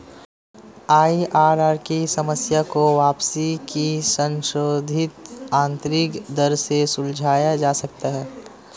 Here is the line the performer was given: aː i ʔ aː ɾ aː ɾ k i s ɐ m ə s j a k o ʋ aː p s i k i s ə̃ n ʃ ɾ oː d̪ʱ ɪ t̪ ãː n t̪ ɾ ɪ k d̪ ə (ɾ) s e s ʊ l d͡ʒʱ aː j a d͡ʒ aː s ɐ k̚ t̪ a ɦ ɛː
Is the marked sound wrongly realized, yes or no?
no